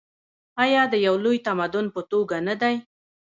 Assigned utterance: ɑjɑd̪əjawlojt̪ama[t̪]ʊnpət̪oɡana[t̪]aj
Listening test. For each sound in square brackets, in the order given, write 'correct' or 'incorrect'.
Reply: incorrect: d̪, incorrect: d̪

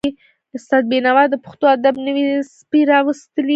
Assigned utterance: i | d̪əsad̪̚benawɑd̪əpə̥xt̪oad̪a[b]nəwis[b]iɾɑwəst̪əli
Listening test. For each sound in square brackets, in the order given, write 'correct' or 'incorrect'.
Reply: correct, incorrect: p

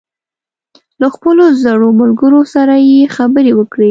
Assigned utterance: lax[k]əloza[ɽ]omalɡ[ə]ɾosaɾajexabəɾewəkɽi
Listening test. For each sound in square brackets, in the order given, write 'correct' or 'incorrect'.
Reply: incorrect: p, correct, correct

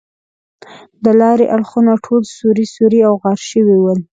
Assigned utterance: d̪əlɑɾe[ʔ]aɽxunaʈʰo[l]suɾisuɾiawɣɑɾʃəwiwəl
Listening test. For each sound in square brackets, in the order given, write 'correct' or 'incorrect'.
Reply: correct, correct

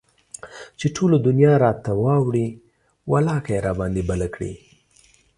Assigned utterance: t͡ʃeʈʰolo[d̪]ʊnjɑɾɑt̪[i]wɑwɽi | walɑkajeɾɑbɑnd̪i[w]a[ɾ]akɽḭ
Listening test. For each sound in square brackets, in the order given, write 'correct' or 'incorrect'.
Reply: correct, incorrect: a, incorrect: b, incorrect: l

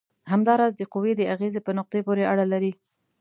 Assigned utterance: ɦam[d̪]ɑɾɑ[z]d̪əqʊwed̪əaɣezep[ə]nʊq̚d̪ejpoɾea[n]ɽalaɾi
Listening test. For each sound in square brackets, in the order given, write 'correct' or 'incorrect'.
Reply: correct, correct, correct, incorrect: none

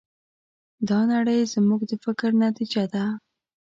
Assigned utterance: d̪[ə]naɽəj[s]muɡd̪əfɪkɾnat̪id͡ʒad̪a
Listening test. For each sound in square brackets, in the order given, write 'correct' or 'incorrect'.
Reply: incorrect: ɑ, incorrect: z

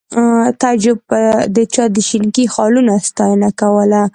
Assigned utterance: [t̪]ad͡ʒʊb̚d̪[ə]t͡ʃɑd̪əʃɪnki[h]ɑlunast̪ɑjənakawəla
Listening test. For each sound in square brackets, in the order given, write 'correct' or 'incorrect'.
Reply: correct, correct, incorrect: x

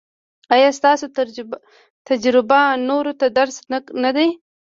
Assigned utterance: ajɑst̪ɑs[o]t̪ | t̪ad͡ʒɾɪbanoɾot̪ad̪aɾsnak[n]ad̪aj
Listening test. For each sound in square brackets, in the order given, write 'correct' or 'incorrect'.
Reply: correct, correct

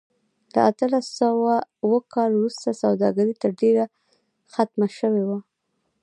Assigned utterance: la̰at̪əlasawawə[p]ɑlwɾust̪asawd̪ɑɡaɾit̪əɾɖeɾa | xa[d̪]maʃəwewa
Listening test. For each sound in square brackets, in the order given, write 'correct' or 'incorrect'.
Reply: incorrect: k, incorrect: t̪

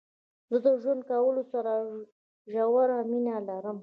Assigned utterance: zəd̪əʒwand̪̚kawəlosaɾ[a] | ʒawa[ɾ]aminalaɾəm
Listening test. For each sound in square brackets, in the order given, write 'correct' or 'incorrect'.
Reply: correct, correct

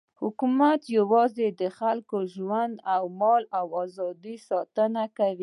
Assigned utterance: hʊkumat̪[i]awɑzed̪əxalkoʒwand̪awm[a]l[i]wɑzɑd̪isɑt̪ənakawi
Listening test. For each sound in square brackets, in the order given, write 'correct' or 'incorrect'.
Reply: incorrect: j, incorrect: ɑ, incorrect: a

